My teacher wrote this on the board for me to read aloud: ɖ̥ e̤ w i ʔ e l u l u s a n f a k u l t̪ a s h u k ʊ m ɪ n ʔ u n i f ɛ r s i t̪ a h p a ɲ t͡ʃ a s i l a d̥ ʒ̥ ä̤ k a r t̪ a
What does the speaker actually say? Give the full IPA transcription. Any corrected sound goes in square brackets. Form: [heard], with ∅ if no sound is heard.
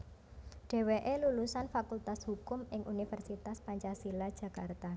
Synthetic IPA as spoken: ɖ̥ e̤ w [e] ʔ e l u l u s a n f a k u l t̪ a s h u k ʊ m ɪ [ŋ] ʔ u n i f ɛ r s i t̪ a [s] p a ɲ t͡ʃ a s i l a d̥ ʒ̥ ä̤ k a r t̪ a